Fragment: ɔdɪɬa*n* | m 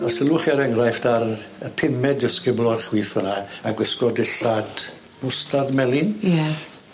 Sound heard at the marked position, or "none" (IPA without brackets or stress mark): d